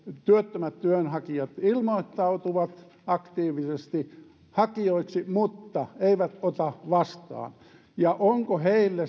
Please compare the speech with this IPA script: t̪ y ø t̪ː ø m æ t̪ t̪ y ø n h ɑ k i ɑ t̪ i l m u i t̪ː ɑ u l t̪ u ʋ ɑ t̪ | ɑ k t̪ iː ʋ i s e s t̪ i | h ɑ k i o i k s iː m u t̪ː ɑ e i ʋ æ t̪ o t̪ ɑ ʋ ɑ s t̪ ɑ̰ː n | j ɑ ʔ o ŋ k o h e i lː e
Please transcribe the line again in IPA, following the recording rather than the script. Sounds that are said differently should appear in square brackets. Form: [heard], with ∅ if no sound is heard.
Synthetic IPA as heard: t̪ y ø t̪ː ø m æ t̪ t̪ y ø n h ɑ k i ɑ t̪ i l m [o] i t̪ː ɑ u [∅] t̪ u ʋ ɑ t̪ | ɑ k t̪ iː ʋ i s e s t̪ i | h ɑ k i o i k s [i] m u t̪ː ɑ e i ʋ æ t̪ o t̪ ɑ ʋ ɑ s t̪ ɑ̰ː n | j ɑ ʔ o ŋ k o h e i lː e